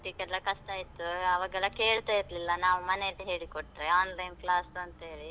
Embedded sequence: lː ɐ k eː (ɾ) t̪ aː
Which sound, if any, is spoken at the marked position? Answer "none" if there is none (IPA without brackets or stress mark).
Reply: ɭ